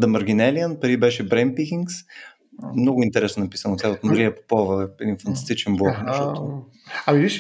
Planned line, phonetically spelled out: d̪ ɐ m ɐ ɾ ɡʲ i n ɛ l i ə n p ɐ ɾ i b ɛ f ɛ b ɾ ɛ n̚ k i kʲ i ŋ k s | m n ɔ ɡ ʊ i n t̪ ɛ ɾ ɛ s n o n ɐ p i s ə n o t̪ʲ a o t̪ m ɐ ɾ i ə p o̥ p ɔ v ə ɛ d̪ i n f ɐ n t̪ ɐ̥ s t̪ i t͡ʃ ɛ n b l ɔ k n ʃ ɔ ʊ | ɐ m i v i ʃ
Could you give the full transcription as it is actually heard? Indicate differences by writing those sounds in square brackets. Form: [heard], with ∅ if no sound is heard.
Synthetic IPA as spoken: d̪ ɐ m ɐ ɾ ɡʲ i n ɛ l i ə n p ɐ ɾ i b ɛ [ʃ] ɛ b ɾ ɛ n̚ [p] i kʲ i ŋ k s | m n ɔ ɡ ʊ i n t̪ ɛ ɾ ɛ s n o n ɐ p i s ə n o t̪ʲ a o t̪ m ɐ ɾ i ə p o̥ p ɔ v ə ɛ d̪ i n f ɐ n t̪ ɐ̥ s t̪ i t͡ʃ ɛ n b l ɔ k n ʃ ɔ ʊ | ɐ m i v i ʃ